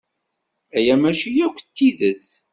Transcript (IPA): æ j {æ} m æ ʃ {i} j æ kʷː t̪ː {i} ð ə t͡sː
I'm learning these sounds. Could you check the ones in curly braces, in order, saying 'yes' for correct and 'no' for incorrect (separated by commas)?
yes, yes, yes